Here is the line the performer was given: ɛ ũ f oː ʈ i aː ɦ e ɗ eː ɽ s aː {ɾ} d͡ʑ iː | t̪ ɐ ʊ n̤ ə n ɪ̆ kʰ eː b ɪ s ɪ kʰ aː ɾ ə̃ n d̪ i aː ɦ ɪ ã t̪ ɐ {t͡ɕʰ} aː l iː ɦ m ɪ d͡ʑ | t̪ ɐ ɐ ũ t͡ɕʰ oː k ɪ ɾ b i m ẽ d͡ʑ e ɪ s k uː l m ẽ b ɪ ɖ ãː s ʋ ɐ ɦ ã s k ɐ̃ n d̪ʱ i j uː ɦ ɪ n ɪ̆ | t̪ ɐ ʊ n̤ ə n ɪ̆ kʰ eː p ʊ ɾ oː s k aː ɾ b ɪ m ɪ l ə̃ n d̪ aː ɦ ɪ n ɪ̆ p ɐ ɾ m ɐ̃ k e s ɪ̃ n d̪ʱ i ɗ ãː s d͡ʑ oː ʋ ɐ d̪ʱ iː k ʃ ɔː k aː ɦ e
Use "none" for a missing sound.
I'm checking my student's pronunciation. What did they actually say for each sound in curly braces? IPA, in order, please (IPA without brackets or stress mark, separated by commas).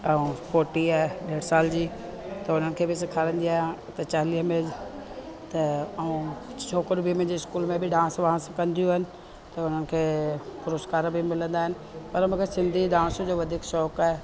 l, t͡ɕ